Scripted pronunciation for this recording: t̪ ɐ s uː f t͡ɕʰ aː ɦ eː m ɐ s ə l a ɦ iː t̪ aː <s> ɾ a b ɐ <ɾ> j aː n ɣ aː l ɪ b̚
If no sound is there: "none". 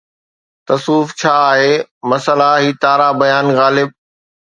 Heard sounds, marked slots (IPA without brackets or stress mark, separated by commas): none, none